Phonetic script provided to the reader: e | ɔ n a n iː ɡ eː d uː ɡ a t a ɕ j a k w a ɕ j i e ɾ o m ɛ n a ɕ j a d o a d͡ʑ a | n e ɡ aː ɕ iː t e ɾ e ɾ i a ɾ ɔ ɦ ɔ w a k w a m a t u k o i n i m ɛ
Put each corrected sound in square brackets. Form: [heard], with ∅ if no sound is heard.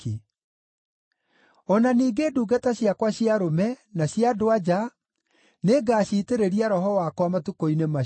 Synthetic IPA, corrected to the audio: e | ɔ n a n iː ɡ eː d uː ɡ a t a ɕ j a k w a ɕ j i [a] ɾ o m ɛ n a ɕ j a d o a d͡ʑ a | n e ɡ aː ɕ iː t e ɾ e ɾ i a ɾ ɔ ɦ ɔ w a k w a m a t u k o i n [e] m [a]